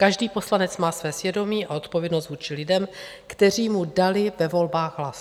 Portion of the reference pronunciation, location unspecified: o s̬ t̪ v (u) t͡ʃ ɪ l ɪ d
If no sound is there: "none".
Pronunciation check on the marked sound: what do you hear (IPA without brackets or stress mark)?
uː